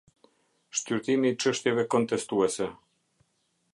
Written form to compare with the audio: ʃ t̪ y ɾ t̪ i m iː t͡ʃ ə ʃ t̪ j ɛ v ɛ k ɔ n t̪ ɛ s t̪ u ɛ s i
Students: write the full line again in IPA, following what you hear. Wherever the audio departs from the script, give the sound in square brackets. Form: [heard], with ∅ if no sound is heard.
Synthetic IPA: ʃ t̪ y ɾ t̪ i m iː t͡ʃ ə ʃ t̪ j ɛ v ɛ k ɔ n t̪ ɛ s t̪ u ɛ s [ɛ]